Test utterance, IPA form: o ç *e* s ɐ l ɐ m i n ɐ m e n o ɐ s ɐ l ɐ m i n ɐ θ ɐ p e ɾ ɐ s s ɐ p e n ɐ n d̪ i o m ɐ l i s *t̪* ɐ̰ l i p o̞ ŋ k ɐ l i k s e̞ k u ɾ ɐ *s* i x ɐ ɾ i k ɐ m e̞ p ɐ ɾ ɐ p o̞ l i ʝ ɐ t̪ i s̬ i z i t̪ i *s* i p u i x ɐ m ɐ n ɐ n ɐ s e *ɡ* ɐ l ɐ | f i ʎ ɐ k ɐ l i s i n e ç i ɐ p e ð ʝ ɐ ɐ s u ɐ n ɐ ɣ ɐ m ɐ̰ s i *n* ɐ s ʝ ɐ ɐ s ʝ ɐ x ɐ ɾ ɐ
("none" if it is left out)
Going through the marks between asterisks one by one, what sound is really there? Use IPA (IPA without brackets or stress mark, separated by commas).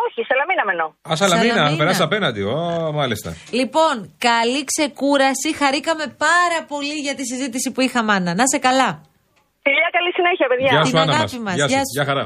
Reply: i, t̪, s, s, k, m